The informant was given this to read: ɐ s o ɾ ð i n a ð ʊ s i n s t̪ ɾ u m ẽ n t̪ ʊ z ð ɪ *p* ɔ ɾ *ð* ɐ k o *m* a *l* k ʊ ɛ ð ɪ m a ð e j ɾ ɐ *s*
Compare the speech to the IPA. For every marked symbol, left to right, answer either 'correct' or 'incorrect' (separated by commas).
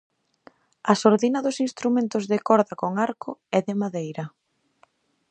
incorrect, correct, incorrect, incorrect, incorrect